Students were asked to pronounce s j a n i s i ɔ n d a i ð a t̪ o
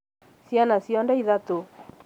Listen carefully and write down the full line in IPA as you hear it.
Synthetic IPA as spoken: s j a n a s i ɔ n d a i ð a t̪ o

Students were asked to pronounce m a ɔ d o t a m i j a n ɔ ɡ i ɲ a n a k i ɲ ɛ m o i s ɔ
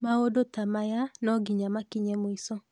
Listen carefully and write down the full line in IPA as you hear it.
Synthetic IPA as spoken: m a o d o t a m a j a n ɔ ɡ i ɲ a m a k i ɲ ɛ m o i s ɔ

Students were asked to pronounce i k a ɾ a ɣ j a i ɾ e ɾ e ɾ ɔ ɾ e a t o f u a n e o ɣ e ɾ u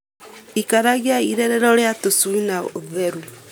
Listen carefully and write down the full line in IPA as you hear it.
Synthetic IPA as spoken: i k a ɾ a ɣ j a i ɾ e ɾ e ɾ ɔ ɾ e a t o s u i n a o ð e ɾ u

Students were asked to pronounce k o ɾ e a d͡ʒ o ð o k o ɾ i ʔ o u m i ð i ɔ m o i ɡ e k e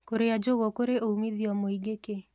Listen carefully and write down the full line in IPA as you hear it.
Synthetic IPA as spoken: k o ɾ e a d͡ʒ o ɣ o k o ɾ e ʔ o u m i ð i ɔ m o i ɡ e k e

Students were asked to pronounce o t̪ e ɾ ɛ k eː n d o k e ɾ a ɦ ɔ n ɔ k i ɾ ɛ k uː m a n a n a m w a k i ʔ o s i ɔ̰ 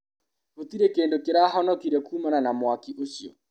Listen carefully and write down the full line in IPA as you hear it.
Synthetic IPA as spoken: o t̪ i ɾ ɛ k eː n d o k e ɾ a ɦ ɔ n ɔ k i ɾ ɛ k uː m a n a n a m w a k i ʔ o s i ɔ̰

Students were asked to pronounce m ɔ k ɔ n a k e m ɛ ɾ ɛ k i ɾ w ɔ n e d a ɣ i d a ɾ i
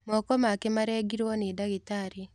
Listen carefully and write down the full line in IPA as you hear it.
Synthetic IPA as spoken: m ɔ k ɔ m a k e m a ɾ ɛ ɡ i ɾ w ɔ n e d a ɣ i t a ɾ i

